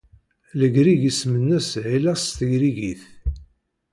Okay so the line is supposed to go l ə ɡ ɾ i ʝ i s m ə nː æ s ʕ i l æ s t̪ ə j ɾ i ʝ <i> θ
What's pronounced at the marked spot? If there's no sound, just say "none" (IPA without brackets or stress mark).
i